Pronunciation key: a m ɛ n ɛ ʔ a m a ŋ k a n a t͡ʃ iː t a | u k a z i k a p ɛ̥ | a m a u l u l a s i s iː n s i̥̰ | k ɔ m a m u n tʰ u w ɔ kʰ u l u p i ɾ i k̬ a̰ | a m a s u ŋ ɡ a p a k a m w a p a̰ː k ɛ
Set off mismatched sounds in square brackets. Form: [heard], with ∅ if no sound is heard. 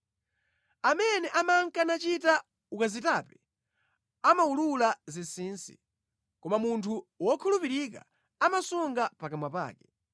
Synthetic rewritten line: a m ɛ n ɛ ʔ a m a ŋ k a n a t͡ʃ [i] t a | u k a z i [t] a p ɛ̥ | a m a u l u l a [z] i s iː n s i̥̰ | k ɔ m a m u n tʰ u w ɔ kʰ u l u p i ɾ i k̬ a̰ | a m a s u ŋ ɡ a p a k a m w a p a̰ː k ɛ